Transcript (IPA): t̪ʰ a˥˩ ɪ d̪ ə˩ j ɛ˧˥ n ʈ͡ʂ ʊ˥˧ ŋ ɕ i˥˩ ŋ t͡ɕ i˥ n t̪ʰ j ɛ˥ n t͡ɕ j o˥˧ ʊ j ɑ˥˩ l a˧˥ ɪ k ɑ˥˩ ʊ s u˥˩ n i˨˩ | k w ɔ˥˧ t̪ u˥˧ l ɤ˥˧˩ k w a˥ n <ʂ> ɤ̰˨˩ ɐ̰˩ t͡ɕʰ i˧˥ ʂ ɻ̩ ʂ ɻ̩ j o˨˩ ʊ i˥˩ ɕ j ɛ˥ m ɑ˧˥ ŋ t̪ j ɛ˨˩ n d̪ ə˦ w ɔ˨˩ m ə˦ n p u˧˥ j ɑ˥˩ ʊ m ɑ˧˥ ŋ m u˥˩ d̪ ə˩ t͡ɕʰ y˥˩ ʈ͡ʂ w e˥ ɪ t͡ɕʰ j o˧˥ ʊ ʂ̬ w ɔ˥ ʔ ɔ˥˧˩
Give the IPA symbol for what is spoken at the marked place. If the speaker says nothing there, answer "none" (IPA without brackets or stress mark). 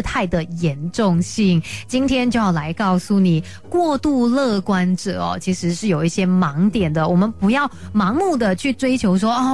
ʈ͡ʂ